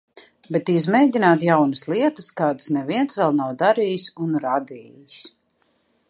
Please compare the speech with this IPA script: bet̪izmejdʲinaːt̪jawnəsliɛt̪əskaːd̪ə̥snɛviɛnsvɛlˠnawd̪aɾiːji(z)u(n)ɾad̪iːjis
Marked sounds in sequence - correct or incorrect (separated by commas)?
incorrect, correct